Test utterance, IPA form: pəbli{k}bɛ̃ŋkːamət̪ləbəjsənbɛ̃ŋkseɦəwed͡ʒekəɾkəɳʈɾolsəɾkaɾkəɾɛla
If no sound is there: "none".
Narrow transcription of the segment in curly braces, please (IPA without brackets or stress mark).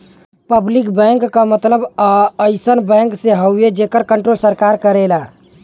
k